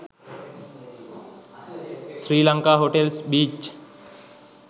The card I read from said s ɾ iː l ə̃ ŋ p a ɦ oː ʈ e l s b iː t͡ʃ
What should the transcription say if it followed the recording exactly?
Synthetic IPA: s ɾ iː l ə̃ ŋ k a ɦ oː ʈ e l s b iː t͡ʃ